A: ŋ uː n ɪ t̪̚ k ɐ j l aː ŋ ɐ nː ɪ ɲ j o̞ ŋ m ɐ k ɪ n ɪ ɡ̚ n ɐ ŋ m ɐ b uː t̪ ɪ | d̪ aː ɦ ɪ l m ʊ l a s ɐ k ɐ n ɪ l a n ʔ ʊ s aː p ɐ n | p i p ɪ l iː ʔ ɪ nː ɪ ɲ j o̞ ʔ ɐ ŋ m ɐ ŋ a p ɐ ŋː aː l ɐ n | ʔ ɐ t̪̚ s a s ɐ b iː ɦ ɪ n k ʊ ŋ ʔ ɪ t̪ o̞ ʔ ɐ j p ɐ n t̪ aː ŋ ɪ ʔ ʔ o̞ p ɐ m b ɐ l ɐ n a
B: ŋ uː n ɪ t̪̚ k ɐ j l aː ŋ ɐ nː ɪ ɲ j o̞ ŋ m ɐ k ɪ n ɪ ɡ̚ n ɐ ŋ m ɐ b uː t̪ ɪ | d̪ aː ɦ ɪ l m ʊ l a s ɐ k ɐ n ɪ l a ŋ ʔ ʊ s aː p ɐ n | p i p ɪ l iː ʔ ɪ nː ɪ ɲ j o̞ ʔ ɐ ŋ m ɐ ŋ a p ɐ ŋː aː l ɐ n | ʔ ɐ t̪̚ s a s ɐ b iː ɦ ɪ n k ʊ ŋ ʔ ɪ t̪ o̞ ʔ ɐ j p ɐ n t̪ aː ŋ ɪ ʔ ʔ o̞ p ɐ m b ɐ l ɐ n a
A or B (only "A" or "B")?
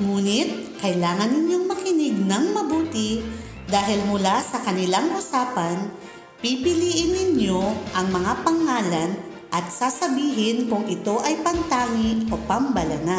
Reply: B